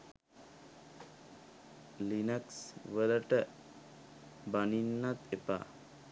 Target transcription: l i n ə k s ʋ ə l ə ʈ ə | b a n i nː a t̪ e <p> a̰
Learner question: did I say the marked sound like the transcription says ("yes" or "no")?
yes